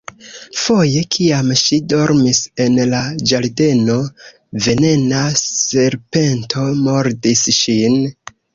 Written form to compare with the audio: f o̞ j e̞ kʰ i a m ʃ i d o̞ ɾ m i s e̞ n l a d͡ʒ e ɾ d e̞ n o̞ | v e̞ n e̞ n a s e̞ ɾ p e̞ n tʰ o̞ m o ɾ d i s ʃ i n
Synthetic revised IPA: f o̞ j e̞ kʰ i a m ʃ i d o̞ ɾ m i s e̞ n l a d͡ʒ a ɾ d e̞ n o̞ | v e̞ n e̞ n a s e̞ ɾ p e̞ n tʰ o̞ m o ɾ d i s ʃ i n